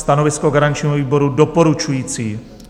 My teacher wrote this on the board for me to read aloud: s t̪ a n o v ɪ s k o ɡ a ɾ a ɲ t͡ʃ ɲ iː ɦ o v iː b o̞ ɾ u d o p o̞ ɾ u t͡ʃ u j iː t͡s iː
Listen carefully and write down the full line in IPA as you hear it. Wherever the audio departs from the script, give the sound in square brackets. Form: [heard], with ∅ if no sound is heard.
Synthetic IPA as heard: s t̪ a n o v ɪ s k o ɡ a ɾ a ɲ t͡ʃ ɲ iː ɦ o v iː b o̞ ɾ u d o p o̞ ɾ u t͡ʃ u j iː t͡s iː